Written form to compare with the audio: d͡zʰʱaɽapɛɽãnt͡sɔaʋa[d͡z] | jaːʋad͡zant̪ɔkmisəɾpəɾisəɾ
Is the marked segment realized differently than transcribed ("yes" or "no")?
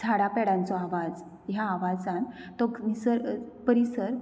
no